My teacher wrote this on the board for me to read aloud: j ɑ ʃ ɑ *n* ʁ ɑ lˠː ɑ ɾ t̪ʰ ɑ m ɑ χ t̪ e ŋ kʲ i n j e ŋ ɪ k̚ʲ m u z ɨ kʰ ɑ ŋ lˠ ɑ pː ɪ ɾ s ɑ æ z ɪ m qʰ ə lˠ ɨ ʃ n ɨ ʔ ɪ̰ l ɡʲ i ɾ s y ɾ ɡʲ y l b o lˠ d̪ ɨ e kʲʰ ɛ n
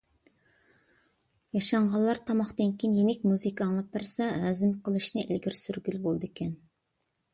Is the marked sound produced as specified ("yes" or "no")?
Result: no